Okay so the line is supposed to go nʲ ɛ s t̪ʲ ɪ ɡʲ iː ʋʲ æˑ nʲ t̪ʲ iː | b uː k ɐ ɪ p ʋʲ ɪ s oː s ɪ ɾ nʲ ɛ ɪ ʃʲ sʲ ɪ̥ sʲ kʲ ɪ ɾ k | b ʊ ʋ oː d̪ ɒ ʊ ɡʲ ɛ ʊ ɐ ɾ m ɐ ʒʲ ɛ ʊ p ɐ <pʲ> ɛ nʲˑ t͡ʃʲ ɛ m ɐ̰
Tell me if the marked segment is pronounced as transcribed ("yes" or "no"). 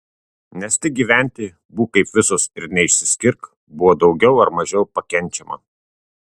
no